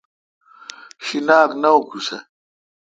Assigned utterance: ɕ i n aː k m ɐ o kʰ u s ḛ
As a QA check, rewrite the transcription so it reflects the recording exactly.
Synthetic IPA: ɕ i n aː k n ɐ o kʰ u s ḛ